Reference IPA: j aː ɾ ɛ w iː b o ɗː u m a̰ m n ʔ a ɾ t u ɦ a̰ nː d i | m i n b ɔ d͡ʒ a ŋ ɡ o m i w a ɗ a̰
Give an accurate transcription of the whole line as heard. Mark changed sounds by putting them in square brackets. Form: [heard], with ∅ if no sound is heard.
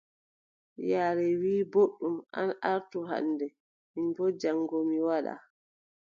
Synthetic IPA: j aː ɾ ɛ w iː b o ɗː u m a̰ [∅] n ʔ a ɾ t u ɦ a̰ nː d [ɛ] | m i n b ɔ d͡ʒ a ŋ ɡ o m i w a ɗ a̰